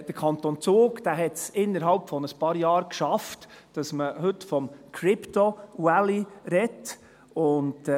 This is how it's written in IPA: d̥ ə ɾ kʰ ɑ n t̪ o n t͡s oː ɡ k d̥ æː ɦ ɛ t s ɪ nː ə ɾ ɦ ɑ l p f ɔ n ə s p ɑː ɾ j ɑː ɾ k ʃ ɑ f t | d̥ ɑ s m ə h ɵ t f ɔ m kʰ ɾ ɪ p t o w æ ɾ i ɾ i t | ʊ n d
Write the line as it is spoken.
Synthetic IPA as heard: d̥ ə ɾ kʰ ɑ n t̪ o n t͡s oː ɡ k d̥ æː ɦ ɛ t s ɪ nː ə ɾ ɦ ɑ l p f ɔ n ə s p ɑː ɾ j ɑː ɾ k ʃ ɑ f t | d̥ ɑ s m ə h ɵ t f ɔ m kʰ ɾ ɪ p t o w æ l i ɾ ɛ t | ʊ n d